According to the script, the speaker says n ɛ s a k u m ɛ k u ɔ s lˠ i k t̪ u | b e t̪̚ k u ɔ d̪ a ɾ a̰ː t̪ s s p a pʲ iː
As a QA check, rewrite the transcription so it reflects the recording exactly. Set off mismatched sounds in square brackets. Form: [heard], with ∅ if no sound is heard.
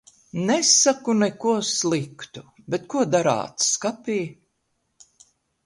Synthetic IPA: n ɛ s a k u [n] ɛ k u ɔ s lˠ i k t̪ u | b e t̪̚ k u ɔ d̪ a ɾ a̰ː t̪ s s [k] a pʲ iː